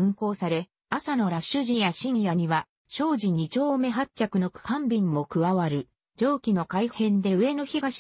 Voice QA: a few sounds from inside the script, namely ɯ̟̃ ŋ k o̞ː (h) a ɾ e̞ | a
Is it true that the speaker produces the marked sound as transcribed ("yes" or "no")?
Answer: no